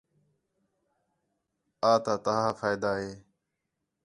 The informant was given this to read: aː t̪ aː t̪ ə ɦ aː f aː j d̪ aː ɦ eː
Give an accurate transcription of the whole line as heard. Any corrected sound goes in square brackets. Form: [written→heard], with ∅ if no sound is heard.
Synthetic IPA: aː t̪ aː t̪ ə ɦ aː f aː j d̪ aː ɦ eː